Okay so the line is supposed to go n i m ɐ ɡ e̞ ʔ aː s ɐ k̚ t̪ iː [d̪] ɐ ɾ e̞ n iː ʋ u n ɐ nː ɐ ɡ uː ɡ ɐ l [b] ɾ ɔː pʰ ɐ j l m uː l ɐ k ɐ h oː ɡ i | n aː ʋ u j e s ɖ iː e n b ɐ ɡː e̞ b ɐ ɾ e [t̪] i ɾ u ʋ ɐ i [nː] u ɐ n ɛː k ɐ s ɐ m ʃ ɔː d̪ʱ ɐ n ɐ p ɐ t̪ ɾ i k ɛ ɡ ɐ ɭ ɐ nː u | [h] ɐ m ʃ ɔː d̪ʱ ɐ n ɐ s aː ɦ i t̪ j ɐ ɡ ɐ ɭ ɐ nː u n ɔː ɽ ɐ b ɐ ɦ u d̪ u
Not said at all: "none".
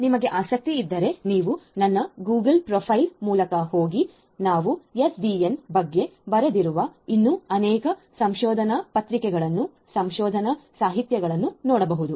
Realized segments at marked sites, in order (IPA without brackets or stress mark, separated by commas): d̪ː, p, d̪, nː, s